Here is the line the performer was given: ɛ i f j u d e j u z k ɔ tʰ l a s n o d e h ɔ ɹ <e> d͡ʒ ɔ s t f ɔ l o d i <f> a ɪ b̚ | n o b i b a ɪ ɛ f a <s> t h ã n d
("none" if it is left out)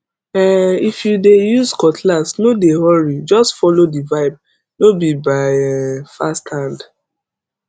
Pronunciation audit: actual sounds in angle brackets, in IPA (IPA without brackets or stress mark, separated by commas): i, v, s